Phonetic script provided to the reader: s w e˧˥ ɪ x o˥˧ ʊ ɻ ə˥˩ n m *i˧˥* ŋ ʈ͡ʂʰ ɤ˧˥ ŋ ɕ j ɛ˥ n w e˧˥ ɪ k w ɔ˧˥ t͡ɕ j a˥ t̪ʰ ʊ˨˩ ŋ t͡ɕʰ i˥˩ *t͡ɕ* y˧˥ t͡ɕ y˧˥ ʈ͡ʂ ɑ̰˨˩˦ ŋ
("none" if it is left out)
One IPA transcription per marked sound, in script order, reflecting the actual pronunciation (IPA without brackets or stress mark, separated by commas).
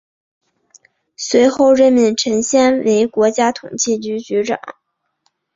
i˥˩, t͡ɕ